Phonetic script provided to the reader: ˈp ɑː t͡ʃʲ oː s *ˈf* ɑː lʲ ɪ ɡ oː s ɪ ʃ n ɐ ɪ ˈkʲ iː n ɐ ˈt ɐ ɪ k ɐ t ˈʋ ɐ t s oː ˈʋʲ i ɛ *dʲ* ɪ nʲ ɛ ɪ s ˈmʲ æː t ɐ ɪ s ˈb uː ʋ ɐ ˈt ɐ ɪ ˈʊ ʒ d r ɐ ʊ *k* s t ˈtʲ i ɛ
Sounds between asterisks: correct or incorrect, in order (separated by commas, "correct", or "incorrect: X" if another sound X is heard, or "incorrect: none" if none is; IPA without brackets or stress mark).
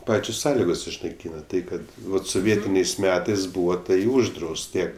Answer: incorrect: s, incorrect: tʲ, incorrect: none